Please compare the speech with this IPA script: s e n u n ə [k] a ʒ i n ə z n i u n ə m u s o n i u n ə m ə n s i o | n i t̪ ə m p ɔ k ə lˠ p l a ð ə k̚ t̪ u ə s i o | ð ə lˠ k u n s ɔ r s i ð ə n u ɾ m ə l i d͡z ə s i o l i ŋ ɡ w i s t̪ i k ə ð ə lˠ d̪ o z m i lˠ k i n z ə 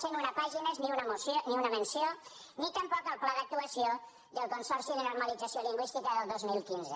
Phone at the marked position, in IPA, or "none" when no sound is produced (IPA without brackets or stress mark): p